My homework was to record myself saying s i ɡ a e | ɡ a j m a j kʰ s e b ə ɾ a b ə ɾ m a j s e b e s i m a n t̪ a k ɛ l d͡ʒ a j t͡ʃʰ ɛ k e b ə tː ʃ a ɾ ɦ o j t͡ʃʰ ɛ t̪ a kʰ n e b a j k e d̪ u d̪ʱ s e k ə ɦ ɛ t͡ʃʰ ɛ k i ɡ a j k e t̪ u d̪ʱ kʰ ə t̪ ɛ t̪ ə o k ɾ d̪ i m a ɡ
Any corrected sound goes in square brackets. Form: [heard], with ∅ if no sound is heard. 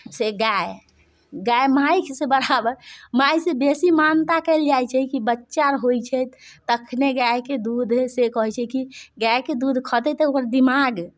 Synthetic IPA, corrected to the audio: s [e] ɡ a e | ɡ a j m a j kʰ s e b ə ɾ a b ə ɾ m a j s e b e s i m a n t̪ a k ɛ l d͡ʒ a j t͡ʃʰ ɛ k [i] b ə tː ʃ a ɾ ɦ o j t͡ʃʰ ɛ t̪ [ə] kʰ n e [ɡ] a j k e d̪ u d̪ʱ s e k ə ɦ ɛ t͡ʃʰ ɛ k i ɡ a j k e [d̪] u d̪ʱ kʰ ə t̪ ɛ t̪ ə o k ɾ d̪ i m a ɡ